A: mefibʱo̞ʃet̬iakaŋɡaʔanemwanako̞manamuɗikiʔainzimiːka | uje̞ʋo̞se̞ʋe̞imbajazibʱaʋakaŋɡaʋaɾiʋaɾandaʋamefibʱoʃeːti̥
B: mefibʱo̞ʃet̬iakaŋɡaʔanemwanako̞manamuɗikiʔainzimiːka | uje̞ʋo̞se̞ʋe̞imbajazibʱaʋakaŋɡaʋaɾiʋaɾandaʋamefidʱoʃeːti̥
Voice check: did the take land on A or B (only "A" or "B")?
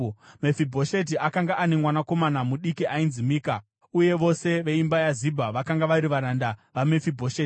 A